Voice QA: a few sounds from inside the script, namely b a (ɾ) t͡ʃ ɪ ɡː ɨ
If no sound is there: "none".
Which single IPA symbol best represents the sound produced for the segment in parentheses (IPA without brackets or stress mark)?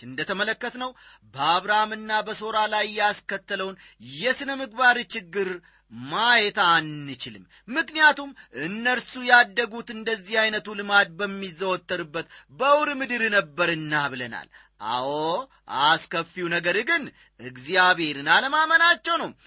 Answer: ɾ